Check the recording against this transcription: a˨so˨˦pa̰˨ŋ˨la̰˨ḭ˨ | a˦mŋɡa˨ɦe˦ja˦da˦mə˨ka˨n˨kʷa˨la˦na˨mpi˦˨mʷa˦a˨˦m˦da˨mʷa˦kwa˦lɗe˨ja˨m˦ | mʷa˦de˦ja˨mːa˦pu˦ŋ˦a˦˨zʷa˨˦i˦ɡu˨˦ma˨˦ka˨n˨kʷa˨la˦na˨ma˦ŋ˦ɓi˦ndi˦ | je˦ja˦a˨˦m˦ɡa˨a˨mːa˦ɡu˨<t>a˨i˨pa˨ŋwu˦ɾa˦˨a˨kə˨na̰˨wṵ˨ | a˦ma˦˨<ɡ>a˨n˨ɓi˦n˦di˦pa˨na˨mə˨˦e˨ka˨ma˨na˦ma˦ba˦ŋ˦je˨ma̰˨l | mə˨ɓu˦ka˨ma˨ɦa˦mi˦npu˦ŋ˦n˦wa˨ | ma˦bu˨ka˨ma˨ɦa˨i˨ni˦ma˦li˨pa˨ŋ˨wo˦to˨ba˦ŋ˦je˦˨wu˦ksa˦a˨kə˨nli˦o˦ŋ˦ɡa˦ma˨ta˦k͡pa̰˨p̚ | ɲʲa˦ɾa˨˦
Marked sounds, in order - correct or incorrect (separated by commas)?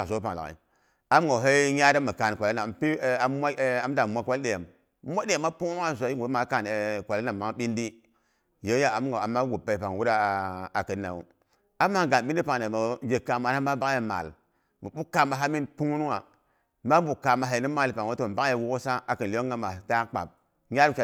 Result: incorrect, correct